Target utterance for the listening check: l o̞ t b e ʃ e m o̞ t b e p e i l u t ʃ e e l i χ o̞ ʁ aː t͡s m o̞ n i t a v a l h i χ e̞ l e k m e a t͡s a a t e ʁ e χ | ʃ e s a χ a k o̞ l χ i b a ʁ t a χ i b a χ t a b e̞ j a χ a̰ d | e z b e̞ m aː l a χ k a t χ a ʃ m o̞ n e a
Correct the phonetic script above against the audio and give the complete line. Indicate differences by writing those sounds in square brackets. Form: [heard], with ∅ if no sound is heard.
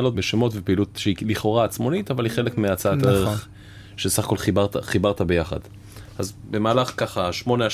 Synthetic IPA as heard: l o̞ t b e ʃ e m o̞ t [v] e p e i l u t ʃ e [i] l i χ o̞ ʁ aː t͡s m o̞ n i t a v a l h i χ e̞ l e k m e a t͡s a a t e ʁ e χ | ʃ e s a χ a k o̞ l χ i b a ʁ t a χ i b a [ʁ] t a b e̞ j a χ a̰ d | [a] z b e̞ m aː l a χ k a [∅] χ a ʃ m o̞ n e a